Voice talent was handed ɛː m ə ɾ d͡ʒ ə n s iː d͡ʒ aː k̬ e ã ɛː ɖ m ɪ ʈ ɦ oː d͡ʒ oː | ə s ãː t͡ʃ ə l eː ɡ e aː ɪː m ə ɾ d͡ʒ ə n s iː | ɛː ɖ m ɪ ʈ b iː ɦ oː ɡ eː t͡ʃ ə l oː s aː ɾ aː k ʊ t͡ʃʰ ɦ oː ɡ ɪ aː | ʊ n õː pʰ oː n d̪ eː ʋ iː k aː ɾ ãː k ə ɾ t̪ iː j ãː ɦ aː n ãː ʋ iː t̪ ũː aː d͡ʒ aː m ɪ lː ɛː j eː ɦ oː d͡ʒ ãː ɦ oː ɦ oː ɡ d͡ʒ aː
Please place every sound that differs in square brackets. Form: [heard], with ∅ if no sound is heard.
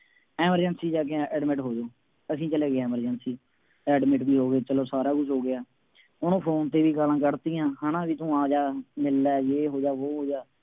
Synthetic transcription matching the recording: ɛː m ə ɾ d͡ʒ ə n s iː d͡ʒ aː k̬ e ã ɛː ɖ m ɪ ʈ ɦ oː d͡ʒ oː | ə s [ĩː] t͡ʃ ə l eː ɡ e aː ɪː m ə ɾ d͡ʒ ə n s iː | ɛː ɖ m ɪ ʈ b iː ɦ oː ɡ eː t͡ʃ ə l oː s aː ɾ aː k ʊ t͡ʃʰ ɦ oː ɡ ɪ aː | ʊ n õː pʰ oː n [t̪] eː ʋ iː k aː [l] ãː k ə ɾ t̪ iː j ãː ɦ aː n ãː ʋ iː t̪ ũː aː d͡ʒ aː m ɪ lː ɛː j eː ɦ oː d͡ʒ [aː] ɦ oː ɦ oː [∅] d͡ʒ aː